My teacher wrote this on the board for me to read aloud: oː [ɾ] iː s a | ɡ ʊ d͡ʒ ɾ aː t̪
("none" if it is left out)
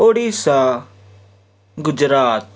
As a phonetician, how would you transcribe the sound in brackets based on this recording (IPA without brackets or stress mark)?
ɽ